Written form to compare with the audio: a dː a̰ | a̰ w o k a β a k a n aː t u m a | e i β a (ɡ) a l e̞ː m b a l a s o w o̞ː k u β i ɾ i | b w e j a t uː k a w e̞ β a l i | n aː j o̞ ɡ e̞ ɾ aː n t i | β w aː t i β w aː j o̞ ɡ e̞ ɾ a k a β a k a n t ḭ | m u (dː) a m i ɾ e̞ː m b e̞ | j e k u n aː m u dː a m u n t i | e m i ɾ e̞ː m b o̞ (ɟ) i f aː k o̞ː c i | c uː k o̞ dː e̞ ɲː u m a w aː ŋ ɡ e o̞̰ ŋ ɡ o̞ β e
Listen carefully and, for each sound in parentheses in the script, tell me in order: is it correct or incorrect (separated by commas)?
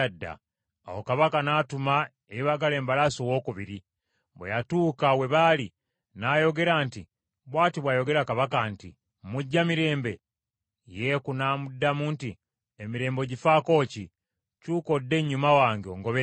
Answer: correct, incorrect, correct